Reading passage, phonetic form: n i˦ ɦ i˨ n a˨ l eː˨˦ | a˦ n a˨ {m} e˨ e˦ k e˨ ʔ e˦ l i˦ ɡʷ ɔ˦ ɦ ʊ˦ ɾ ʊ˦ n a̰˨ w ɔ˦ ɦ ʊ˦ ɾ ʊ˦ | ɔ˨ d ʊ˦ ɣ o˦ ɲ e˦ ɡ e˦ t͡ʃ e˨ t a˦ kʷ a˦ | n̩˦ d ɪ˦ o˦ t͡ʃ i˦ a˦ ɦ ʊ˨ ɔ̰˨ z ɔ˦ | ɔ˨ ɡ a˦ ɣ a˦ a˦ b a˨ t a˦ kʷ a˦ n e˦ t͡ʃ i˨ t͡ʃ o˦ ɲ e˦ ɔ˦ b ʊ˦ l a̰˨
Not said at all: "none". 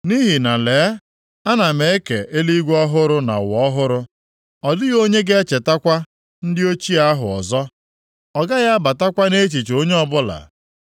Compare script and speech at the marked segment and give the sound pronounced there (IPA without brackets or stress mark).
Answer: m